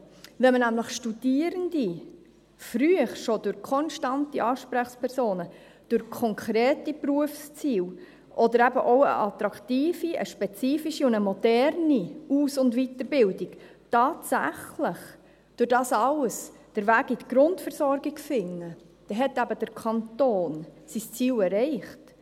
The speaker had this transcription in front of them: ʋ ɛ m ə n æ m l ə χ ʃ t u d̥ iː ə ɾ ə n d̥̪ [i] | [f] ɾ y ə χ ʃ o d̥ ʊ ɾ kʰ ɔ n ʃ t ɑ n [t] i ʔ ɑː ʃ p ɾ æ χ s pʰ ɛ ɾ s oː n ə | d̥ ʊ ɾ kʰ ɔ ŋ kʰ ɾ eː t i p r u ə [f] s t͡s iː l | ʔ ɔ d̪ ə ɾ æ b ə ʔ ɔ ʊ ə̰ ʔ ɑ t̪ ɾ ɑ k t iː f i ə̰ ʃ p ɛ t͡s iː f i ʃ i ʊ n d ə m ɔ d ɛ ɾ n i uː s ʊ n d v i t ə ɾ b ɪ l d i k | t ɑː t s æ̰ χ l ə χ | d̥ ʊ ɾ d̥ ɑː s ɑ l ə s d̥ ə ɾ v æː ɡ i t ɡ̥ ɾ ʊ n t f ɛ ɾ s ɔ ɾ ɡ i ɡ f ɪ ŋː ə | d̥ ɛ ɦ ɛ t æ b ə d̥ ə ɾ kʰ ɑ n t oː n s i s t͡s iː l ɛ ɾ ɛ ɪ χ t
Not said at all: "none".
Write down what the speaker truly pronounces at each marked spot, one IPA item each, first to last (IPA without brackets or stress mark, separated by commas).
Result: i, f, t, f